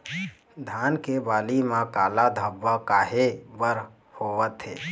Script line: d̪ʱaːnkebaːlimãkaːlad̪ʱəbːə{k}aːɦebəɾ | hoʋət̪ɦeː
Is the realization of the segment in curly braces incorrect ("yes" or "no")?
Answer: no